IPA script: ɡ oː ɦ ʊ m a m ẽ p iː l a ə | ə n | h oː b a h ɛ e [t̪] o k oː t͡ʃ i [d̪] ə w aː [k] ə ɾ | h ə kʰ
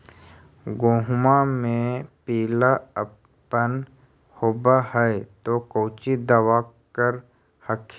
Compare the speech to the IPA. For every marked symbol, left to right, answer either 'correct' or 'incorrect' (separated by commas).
correct, correct, correct